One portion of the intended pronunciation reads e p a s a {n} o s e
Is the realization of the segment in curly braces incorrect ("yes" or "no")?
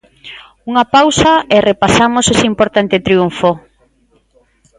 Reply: yes